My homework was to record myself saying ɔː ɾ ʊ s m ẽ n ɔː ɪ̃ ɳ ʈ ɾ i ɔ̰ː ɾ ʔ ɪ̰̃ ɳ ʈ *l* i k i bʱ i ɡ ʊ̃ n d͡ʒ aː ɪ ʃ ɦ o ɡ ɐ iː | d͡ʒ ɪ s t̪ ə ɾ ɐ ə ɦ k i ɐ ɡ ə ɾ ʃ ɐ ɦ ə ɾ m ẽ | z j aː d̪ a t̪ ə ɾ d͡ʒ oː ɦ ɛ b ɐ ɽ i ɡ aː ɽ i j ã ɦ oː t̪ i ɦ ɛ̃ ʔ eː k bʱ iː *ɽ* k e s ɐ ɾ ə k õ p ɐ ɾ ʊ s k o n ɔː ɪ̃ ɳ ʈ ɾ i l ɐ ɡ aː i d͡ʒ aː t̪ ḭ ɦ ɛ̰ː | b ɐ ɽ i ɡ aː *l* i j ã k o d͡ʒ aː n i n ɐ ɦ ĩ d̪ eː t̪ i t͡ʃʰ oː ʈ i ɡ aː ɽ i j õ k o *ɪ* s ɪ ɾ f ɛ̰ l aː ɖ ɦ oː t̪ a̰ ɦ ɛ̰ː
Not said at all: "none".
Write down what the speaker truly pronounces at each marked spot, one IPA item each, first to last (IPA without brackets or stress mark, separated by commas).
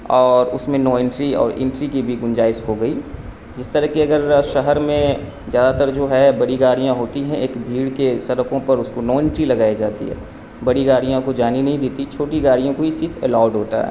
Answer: ɾ, ɽ, ɽ, i